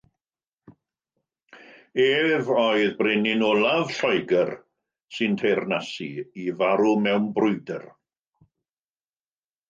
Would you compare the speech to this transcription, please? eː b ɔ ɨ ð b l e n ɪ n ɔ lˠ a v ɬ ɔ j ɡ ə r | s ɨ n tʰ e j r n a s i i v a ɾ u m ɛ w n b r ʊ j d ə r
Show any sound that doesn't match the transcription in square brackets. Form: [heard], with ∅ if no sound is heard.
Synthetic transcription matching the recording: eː [v] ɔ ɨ ð b [r] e n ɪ n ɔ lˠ a v ɬ ɔ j ɡ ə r | s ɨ n tʰ e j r n a s i i v a ɾ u m ɛ w n b r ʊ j d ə r

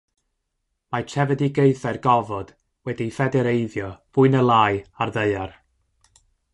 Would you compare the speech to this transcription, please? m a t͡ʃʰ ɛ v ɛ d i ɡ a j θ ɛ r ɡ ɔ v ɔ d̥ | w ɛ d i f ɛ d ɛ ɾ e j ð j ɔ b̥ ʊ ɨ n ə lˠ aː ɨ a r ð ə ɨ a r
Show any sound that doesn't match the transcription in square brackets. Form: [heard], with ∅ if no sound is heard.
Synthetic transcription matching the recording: m a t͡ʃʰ ɛ v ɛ d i ɡ [e] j θ ɛ r ɡ ɔ v ɔ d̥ | w ɛ d i f ɛ d ɛ ɾ e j ð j ɔ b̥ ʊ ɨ n ə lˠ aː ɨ a r ð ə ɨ a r

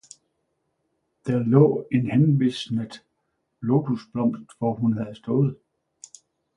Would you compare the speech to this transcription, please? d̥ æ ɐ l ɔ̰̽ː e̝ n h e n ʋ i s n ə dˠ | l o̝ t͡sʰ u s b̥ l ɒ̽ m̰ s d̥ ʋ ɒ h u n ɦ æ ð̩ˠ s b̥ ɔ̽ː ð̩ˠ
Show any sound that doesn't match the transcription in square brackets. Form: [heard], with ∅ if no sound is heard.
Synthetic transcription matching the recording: d̥ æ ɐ l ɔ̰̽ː e̝ n h e n ʋ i s n ə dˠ | l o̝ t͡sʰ u s b̥ l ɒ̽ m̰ s d̥ ʋ ɒ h u n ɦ æ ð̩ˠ s [d̥] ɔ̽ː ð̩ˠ

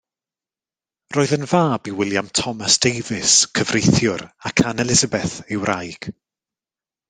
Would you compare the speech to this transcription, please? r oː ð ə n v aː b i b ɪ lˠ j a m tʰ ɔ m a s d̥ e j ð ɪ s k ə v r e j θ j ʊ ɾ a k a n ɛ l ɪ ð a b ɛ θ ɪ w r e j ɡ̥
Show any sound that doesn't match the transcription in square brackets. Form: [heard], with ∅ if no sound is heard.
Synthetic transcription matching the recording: r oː ð ə n v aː b i [w] ɪ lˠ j a m tʰ ɔ m a s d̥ e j [v] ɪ s [kʰ] ə v r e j θ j ʊ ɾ a [kʰ] a n ɛ l ɪ [z] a b ɛ θ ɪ w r [a] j ɡ̥

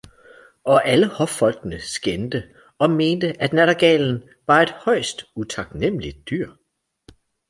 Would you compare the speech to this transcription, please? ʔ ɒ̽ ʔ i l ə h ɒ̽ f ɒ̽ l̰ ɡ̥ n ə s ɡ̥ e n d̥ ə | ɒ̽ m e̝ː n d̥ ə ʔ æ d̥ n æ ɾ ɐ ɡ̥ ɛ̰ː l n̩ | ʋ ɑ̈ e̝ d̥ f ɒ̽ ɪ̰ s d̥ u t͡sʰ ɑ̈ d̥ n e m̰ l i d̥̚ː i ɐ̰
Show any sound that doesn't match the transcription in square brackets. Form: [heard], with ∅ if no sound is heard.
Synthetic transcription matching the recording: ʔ ɒ̽ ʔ [æ] l ə h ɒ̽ f ɒ̽ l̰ ɡ̥ n ə s ɡ̥ e n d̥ ə | ɒ̽ m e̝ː n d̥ ə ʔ æ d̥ n æ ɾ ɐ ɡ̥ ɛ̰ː l n̩ | ʋ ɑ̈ e̝ d̥ [h] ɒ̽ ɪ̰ s d̥ u t͡sʰ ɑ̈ [ɡ̥] n e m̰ l i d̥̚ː [y] ɐ̰

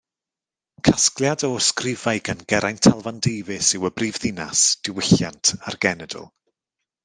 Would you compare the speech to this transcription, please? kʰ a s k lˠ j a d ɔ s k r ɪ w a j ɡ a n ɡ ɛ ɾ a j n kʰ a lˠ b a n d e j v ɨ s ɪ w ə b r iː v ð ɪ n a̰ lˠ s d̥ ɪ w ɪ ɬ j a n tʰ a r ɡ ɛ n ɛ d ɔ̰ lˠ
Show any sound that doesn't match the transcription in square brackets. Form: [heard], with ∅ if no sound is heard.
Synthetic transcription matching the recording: kʰ a s k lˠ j a d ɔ s k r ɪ [v] a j ɡ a n ɡ ɛ ɾ a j n [tʰ] a lˠ [v] a n d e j v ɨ s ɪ w ə b r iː v ð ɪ n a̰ [∅] s d̥ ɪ w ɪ ɬ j a n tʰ a r ɡ ɛ n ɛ d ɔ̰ lˠ

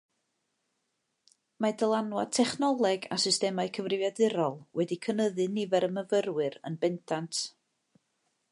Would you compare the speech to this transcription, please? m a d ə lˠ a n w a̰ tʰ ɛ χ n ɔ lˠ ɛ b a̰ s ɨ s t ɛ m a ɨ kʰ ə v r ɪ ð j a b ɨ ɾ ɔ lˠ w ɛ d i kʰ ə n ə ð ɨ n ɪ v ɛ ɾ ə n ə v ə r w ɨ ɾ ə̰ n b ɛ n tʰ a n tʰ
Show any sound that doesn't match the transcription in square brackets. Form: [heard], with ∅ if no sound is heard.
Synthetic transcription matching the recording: m a d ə lˠ a n w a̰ tʰ ɛ χ n ɔ lˠ ɛ [ɡ] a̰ s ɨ s t ɛ m a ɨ kʰ ə v r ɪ [v] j a [d] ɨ ɾ ɔ lˠ w ɛ d i kʰ ə n ə ð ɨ n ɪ v ɛ ɾ ə [m] ə v ə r w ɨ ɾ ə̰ n b ɛ n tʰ a n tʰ

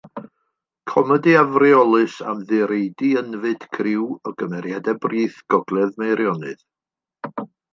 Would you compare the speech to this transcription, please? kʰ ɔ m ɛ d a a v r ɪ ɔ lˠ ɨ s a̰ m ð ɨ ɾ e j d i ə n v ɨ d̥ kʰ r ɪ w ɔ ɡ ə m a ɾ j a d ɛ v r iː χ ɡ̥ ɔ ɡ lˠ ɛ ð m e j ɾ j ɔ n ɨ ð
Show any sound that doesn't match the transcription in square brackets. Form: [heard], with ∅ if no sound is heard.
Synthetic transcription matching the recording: kʰ ɔ m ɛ d [i] a v r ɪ ɔ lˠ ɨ s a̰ m ð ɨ ɾ e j d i ə n v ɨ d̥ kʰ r ɪ w ɔ ɡ ə m [ɛ] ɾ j a d ɛ [b] r iː [θ] ɡ̥ ɔ ɡ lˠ ɛ ð m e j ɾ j ɔ n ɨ ð

